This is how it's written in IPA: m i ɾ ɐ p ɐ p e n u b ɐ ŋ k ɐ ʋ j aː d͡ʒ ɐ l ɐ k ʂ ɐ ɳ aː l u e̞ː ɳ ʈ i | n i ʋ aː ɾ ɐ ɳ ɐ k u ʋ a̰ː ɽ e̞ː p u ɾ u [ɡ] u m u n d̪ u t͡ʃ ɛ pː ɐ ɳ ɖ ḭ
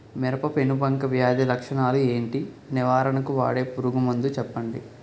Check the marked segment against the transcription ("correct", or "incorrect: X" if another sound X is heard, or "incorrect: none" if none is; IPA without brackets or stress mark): correct